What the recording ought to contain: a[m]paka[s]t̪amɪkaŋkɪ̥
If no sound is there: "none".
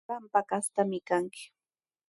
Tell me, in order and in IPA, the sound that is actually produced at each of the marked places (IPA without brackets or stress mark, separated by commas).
m, s